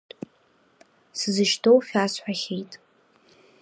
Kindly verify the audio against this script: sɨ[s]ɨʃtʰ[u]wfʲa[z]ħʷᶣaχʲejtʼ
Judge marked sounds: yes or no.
no, no, no

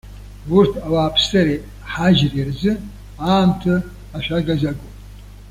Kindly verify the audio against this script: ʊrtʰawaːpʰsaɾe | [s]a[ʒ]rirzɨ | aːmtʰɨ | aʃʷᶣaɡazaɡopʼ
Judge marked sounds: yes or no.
no, yes

